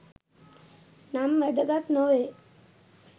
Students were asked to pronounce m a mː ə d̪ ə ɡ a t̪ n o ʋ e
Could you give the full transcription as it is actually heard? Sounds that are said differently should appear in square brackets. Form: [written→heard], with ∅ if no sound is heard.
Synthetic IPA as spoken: [m→n] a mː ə d̪ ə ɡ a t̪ n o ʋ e